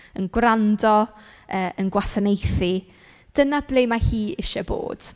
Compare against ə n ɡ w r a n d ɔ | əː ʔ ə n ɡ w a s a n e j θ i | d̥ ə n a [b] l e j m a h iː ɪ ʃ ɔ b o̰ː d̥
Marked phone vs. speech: correct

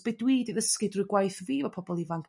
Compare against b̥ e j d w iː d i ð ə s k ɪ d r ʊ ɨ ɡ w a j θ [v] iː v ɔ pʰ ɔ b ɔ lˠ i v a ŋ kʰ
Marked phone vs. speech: correct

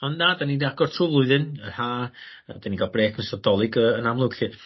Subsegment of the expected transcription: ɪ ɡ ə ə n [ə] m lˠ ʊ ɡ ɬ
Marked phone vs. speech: incorrect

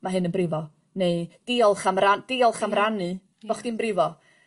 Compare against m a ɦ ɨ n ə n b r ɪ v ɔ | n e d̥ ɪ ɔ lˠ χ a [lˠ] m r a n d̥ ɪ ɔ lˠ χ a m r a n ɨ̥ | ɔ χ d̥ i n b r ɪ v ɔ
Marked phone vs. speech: incorrect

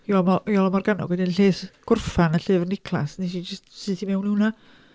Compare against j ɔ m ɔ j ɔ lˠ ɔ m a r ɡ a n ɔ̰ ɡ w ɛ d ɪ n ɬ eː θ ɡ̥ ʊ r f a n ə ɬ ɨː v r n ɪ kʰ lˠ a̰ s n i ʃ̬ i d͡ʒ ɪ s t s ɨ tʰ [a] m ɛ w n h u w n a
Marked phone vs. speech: incorrect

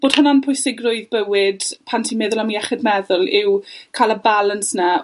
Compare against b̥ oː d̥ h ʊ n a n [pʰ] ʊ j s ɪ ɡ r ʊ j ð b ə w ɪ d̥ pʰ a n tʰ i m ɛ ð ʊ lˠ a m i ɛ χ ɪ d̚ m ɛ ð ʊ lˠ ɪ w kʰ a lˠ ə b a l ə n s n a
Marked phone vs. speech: correct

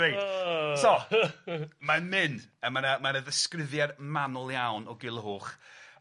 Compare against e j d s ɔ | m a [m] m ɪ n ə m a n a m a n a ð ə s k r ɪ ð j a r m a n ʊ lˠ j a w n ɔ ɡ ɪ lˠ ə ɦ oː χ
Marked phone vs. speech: incorrect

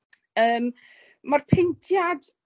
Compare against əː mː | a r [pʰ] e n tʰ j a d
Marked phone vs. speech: correct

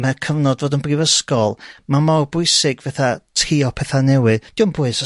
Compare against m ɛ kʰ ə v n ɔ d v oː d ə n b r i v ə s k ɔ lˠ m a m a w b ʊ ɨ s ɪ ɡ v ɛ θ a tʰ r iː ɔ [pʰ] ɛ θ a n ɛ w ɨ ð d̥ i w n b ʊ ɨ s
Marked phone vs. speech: correct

